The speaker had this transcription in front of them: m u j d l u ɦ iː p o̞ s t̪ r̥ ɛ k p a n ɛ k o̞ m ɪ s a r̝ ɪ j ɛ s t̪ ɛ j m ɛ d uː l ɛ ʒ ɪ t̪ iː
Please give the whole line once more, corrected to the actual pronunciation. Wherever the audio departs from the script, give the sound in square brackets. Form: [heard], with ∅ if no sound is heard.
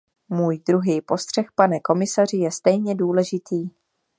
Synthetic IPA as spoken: m [uː] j d [ɾ] u ɦ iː p o̞ s t̪ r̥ ɛ [x] p a n ɛ k o̞ m ɪ s a r̝ ɪ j ɛ s t̪ ɛ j [ɲ] ɛ d uː l ɛ ʒ ɪ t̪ iː